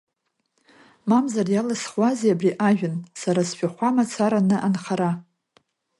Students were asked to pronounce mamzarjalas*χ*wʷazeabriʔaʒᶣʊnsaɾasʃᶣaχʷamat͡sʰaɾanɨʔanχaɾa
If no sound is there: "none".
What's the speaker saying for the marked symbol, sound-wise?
χ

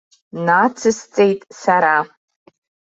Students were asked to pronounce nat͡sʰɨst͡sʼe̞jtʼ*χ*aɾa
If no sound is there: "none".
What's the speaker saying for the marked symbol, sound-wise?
s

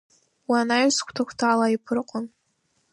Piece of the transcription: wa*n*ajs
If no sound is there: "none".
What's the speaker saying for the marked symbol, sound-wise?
n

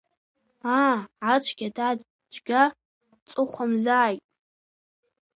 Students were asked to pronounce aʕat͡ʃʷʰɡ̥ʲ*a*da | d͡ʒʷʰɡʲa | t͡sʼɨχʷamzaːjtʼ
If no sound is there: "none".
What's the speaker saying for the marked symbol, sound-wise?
a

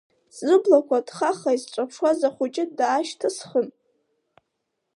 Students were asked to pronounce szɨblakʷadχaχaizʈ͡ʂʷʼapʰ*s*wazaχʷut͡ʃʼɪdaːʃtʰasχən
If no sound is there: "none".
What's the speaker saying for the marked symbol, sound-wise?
ʂ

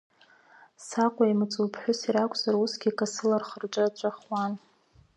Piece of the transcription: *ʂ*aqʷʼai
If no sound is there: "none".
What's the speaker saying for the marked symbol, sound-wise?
s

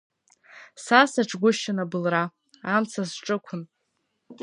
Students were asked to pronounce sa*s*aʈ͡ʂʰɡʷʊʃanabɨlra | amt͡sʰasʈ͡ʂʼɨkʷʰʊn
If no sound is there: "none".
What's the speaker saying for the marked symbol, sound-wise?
s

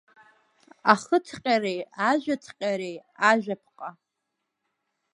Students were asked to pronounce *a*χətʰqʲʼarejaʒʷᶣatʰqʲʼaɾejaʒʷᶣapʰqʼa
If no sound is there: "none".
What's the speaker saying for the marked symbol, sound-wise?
a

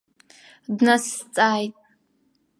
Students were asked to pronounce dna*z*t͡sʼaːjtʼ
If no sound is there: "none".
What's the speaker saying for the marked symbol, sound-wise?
s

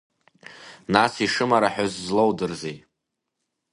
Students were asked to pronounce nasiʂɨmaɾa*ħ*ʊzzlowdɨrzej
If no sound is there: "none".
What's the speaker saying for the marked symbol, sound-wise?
ħ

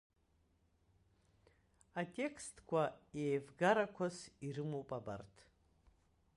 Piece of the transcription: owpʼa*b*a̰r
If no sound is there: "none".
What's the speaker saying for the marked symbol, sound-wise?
b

